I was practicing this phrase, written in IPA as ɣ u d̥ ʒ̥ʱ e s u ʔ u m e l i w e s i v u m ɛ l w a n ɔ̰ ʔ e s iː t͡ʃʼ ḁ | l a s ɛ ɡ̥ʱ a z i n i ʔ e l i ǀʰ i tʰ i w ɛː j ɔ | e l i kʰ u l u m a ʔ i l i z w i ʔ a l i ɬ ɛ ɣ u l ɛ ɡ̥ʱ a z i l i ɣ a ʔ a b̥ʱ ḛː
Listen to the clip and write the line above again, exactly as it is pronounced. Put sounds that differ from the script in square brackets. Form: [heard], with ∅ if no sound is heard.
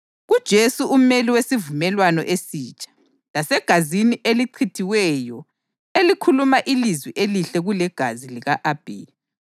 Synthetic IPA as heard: ɣ u d̥ ʒ̥ʱ e s u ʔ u m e l i w e s i v u m ɛ l w a n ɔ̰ ʔ e s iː t͡ʃʼ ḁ | l a s ɛ ɡ̥ʱ a z i n i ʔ e l i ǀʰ i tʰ i w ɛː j ɔ | e l i kʰ u l u m a ʔ i l i z w i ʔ [e] l i ɬ ɛ ɣ u l ɛ ɡ̥ʱ a z i l i ɣ a ʔ a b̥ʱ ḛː